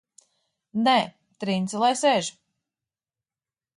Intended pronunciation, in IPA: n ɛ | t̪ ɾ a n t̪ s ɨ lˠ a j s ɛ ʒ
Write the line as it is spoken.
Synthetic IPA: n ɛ | t̪ ɾ i n t̪ s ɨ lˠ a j s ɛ ʒ